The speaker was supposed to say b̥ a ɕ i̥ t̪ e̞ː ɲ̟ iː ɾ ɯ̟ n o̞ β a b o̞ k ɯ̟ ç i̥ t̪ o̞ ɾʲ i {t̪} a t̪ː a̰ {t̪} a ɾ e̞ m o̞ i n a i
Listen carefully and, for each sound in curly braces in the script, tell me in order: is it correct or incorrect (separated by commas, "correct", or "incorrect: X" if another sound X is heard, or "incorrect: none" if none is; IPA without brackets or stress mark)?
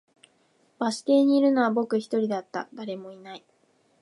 incorrect: d̪, incorrect: d̪